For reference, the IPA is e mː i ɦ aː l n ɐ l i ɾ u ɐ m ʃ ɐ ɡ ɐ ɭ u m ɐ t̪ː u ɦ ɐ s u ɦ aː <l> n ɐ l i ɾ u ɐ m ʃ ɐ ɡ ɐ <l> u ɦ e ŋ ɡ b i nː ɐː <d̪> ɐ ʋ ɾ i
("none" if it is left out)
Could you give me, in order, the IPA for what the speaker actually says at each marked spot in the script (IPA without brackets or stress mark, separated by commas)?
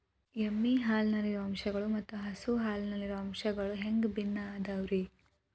l, ɭ, d̪